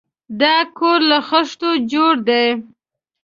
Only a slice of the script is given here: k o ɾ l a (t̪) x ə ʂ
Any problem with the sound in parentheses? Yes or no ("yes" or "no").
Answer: yes